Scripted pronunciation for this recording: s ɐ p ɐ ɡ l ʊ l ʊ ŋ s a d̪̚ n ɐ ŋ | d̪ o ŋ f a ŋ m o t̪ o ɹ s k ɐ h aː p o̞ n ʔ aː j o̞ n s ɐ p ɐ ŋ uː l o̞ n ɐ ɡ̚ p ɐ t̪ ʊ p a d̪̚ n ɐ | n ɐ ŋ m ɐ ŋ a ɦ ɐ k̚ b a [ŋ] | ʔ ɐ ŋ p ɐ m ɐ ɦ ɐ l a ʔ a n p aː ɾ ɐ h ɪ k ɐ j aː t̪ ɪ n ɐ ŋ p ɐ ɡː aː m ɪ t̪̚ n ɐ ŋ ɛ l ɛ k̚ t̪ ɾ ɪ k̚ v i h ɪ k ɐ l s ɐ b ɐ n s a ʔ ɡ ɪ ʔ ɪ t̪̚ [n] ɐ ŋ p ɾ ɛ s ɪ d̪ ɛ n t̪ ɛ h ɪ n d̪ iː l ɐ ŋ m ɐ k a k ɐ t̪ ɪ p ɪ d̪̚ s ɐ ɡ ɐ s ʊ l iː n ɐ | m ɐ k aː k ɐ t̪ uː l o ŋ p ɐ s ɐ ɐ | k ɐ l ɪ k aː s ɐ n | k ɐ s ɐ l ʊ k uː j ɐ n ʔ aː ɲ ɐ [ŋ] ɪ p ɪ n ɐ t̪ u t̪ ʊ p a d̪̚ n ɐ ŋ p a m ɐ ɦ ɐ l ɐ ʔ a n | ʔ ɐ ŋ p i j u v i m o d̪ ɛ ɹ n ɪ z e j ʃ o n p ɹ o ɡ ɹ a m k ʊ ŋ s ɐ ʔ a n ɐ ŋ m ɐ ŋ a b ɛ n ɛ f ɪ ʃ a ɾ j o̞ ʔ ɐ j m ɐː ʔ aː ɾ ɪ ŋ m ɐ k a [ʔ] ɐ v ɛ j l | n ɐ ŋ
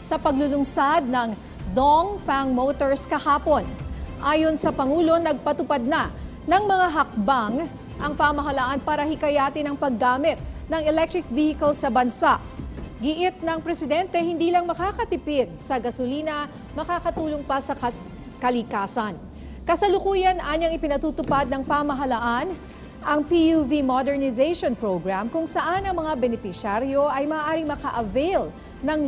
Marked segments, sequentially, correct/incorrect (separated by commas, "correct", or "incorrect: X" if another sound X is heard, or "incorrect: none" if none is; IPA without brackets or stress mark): correct, correct, correct, correct